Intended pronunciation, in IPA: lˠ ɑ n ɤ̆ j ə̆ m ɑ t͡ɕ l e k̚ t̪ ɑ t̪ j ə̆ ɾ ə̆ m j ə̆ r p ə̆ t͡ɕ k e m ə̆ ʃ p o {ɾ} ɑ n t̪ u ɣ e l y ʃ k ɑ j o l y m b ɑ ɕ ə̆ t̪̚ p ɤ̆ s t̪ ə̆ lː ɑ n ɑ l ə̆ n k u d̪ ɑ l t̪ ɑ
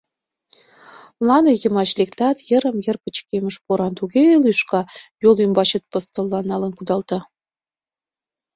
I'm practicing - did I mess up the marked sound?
no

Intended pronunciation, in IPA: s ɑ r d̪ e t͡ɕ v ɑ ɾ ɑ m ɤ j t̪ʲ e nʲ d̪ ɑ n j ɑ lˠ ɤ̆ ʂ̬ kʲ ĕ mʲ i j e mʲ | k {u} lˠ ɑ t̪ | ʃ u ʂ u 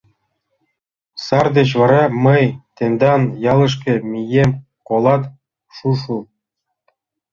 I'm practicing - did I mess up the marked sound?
yes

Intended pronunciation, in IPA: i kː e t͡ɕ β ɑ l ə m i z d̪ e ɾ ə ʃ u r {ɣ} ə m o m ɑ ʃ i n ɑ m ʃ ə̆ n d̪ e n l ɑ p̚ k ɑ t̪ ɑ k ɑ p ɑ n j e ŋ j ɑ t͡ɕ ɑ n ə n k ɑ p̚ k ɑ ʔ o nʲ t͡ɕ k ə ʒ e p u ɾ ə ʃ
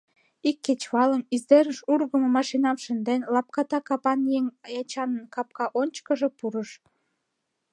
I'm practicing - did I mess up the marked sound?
no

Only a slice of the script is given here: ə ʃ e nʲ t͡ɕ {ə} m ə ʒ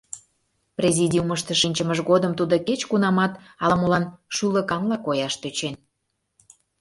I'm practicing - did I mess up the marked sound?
no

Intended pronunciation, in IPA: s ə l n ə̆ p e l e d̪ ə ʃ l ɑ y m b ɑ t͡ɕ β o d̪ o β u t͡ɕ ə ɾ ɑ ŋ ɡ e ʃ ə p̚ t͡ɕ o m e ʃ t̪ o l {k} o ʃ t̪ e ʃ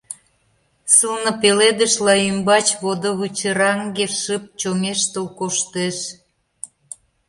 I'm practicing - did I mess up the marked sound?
no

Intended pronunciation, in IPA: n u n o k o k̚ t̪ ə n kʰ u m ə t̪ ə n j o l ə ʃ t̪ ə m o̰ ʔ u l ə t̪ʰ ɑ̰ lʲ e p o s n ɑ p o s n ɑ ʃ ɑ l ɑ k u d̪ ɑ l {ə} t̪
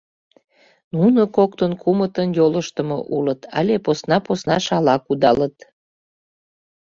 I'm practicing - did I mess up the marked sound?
no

